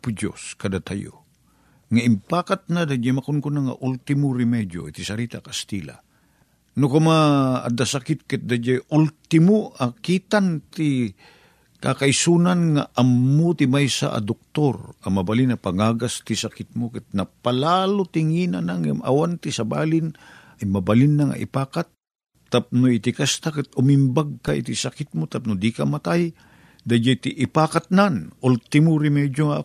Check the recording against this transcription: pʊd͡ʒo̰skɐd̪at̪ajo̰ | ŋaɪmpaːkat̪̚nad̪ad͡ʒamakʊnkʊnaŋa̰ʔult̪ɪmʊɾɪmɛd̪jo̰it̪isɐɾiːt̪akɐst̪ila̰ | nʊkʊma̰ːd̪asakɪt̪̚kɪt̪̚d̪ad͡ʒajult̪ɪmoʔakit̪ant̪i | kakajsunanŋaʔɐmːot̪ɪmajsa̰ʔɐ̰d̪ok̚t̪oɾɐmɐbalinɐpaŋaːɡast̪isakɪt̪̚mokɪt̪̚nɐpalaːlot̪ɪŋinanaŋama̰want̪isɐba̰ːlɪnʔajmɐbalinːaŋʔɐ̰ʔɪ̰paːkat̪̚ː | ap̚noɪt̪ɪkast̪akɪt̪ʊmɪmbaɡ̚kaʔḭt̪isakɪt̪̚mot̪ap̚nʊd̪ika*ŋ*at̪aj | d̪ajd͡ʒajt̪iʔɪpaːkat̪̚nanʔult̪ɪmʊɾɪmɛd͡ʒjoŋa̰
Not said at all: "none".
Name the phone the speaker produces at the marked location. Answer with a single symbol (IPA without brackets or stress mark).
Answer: m